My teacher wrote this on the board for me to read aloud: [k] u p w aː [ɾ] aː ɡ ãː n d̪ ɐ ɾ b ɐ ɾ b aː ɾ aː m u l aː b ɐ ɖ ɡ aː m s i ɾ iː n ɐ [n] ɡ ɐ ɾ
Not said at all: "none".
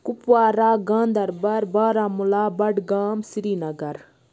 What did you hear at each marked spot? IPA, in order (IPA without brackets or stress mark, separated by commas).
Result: k, ɾ, none